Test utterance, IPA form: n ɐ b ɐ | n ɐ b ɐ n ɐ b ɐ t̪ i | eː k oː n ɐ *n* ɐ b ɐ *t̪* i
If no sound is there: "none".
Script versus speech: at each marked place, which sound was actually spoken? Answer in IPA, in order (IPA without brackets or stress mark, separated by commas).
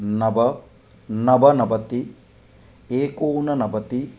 n, t̪